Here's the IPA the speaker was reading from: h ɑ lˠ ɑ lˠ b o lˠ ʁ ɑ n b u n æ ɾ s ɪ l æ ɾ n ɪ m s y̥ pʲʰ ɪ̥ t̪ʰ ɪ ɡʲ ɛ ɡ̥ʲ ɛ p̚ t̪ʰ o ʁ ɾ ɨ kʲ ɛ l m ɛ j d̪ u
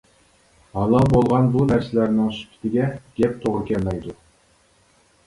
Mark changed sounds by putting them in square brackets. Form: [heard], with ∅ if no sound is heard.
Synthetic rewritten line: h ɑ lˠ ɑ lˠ b o lˠ ʁ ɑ n b u n æ ɾ s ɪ l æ ɾ n ɪ [ŋ] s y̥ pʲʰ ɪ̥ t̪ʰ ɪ ɡʲ ɛ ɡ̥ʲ ɛ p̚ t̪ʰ o ʁ ɾ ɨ kʲ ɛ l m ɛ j d̪ u

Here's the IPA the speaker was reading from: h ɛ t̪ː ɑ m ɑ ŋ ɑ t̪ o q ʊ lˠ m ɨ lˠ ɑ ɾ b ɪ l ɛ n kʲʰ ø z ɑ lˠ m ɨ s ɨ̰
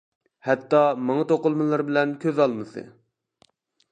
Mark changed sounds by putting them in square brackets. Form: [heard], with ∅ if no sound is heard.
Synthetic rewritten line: h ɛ t̪ː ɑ m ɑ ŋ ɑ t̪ o q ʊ lˠ m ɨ lˠ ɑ ɾ b ɪ l ɛ n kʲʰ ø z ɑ lˠ m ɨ s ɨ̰

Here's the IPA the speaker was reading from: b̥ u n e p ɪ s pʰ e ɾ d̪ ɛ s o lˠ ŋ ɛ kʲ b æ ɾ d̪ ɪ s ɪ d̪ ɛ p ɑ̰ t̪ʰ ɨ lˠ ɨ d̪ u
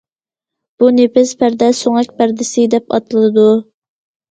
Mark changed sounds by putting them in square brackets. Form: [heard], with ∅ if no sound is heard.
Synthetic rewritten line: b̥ u n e p ɪ s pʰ [æ] ɾ d̪ ɛ s o [∅] ŋ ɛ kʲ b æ ɾ d̪ ɪ s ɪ d̪ ɛ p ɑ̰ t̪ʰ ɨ lˠ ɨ d̪ u

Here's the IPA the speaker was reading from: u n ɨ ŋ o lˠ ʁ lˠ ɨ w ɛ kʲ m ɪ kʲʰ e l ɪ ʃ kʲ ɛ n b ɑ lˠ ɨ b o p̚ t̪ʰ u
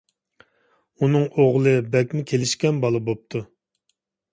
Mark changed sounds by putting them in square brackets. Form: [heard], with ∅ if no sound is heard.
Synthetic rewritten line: u n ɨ ŋ o [∅] ʁ lˠ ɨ [b] ɛ kʲ m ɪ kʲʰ e l ɪ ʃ kʲ ɛ n b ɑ lˠ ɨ b o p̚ t̪ʰ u

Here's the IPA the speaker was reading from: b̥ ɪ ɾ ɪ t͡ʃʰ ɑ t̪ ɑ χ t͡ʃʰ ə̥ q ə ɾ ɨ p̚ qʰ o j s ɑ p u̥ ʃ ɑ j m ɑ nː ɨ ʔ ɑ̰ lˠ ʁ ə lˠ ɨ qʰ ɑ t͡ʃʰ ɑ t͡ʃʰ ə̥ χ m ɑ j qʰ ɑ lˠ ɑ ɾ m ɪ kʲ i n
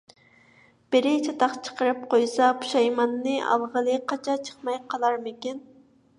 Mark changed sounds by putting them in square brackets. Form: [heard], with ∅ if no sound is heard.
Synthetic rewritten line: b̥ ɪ ɾ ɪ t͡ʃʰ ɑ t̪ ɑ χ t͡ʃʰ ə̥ q ə ɾ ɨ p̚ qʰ o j s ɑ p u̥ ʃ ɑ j m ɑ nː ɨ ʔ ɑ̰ lˠ ʁ ə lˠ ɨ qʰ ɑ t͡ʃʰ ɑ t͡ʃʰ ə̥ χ m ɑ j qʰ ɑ lˠ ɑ ɾ m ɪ kʲ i n

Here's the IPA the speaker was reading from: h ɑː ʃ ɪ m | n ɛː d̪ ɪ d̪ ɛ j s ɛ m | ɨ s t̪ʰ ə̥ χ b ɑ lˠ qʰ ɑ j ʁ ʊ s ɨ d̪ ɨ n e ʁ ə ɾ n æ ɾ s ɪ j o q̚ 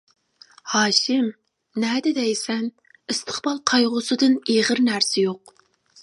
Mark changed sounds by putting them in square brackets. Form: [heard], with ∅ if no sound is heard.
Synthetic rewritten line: h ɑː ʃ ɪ m | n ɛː d̪ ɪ d̪ ɛ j s ɛ [n] | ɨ s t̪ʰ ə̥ χ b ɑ lˠ qʰ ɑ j ʁ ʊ s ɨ d̪ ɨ n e ʁ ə ɾ n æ ɾ s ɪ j o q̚

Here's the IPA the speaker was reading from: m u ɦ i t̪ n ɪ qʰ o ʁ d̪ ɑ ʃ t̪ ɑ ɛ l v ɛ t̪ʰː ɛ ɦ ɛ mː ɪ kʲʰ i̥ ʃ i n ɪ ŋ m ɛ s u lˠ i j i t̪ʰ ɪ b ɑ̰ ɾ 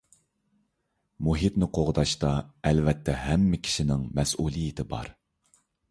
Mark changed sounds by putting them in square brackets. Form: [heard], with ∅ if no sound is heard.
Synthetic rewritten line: m u ɦ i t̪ n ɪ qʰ o ʁ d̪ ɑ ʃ t̪ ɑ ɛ l v ɛ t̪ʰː ɛ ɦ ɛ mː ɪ kʲʰ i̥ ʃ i n ɪ ŋ m ɛ s u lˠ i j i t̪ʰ ɪ b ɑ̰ ɾ

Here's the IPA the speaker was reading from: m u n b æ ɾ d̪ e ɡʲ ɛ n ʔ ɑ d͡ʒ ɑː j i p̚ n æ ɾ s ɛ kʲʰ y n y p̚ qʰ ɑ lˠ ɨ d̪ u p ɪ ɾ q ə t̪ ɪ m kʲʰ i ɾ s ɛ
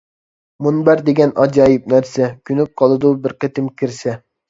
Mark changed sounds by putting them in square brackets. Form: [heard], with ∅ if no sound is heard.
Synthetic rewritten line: m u n b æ ɾ d̪ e ɡʲ ɛ n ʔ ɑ d͡ʒ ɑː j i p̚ n æ ɾ s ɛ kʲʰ y n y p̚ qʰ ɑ lˠ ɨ d̪ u [b] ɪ ɾ q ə t̪ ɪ m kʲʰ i ɾ s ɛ

